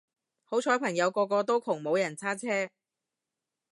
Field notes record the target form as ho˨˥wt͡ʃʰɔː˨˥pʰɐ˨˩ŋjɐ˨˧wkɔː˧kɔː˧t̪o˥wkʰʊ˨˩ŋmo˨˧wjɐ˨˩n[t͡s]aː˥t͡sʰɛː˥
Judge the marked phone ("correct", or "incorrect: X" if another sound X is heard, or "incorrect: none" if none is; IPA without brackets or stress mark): incorrect: t͡sʰ